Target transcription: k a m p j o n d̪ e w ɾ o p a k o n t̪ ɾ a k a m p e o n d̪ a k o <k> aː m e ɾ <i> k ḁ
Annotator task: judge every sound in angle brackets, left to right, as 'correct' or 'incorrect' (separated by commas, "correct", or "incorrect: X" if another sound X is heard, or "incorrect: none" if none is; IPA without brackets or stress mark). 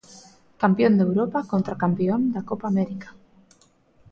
incorrect: p, correct